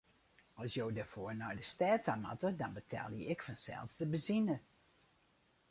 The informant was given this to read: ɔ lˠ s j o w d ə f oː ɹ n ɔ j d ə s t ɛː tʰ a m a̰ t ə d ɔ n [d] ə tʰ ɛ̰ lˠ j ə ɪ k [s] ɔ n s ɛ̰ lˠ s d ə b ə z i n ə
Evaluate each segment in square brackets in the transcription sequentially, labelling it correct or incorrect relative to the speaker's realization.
incorrect, incorrect

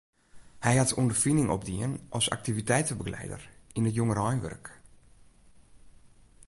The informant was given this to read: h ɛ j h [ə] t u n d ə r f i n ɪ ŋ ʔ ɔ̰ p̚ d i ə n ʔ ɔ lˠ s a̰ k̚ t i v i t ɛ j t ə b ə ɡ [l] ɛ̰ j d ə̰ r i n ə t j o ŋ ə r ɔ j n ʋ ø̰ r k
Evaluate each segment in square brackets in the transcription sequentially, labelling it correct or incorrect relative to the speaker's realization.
incorrect, correct

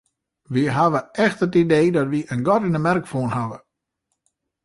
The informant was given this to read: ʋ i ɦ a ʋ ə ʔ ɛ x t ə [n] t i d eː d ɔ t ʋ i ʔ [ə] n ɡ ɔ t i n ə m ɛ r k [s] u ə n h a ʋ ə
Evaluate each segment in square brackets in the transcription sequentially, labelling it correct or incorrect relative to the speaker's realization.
incorrect, correct, incorrect

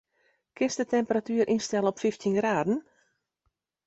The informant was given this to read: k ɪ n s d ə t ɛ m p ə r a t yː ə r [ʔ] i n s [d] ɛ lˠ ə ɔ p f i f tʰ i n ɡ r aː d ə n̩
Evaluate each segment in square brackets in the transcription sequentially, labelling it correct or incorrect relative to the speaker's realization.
correct, incorrect

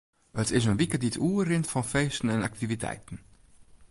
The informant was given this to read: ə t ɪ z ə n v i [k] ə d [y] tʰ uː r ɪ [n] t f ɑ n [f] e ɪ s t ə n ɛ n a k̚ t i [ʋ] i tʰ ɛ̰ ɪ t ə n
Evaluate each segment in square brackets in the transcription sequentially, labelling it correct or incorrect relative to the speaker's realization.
correct, incorrect, correct, correct, incorrect

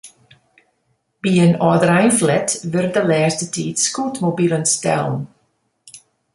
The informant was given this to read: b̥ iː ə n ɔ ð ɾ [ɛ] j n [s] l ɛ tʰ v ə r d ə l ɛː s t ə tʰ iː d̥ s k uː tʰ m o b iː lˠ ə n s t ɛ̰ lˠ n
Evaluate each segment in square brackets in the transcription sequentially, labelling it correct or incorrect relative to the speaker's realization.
incorrect, incorrect

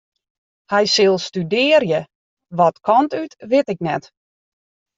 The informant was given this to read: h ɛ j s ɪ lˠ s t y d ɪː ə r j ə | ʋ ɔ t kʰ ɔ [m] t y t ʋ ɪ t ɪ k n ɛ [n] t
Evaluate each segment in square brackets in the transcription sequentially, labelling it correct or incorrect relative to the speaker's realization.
incorrect, incorrect

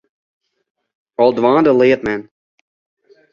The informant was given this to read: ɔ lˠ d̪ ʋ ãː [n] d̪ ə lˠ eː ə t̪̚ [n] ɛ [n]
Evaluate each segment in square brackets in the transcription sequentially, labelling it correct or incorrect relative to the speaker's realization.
correct, incorrect, correct

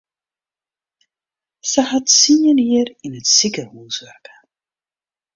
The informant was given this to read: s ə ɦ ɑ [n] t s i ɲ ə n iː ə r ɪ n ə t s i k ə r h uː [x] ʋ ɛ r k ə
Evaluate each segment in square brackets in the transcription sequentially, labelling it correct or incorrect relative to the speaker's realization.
incorrect, incorrect

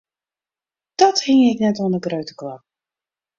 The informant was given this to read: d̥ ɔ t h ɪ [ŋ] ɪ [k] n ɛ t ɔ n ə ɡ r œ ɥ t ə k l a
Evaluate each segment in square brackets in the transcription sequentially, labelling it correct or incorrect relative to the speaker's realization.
correct, correct

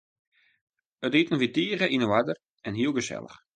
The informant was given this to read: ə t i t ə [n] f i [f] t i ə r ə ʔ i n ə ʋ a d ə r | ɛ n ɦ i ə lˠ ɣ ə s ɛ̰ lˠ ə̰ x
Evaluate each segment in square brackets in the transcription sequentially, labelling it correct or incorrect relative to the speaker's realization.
correct, incorrect

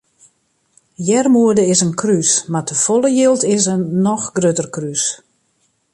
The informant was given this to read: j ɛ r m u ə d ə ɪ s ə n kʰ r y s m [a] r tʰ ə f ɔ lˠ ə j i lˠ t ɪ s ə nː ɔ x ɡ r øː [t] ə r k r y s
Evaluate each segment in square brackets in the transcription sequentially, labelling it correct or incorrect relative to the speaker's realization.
correct, correct

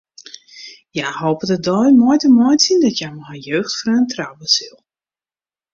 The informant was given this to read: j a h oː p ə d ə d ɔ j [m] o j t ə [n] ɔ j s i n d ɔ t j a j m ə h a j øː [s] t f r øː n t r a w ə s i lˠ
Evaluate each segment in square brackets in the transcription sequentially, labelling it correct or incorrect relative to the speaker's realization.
correct, incorrect, incorrect

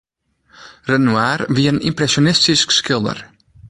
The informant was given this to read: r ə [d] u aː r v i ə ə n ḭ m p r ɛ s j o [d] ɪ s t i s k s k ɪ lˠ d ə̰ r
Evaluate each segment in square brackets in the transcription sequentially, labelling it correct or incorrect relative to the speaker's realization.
incorrect, incorrect

